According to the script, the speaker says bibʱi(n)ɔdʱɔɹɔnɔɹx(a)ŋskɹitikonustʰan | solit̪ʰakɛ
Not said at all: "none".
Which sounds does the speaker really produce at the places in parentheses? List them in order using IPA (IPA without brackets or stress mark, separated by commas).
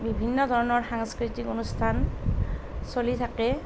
nː, a